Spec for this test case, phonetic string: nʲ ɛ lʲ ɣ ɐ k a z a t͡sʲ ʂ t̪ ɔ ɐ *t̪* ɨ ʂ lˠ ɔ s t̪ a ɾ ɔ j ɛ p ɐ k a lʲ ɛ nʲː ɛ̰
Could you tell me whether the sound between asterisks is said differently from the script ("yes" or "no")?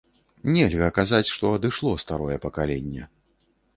yes